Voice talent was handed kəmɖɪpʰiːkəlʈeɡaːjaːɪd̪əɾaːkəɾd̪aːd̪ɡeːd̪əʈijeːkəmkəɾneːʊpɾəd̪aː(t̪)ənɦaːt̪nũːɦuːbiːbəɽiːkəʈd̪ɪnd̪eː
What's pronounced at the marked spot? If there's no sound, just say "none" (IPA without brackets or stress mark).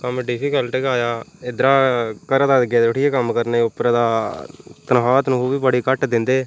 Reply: t̪